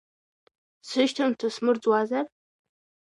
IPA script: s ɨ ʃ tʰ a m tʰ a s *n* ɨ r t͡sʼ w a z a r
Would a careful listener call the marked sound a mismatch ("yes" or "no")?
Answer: yes